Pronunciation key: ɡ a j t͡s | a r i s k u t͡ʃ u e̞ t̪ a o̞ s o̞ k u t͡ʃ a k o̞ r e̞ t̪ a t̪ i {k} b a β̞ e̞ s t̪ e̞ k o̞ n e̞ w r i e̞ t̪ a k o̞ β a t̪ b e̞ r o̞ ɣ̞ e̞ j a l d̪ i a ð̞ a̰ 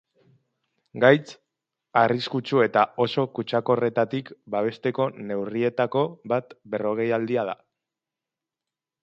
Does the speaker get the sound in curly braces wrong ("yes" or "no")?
no